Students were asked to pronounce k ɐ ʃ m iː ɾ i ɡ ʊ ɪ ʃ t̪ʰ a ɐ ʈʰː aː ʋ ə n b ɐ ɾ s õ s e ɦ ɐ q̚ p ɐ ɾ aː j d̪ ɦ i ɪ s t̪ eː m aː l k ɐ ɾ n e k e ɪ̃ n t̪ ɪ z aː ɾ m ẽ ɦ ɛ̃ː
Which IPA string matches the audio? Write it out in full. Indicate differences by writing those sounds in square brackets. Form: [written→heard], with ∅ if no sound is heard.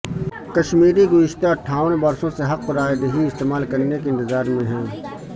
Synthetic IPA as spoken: k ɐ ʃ m iː ɾ i ɡ ʊ ɪ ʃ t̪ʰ a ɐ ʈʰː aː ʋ ə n b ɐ ɾ s õ s e ɦ ɐ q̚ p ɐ ɾ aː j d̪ ɦ i ɪ s t̪ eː m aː l k ɐ ɾ n e k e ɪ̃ n t̪ ɪ z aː ɾ m ẽ ɦ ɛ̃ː